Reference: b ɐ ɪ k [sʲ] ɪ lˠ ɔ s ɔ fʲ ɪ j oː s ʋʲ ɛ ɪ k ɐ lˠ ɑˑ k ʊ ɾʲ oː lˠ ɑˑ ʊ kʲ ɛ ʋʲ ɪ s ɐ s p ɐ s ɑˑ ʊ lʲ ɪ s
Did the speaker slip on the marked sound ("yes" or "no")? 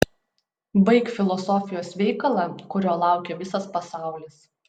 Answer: yes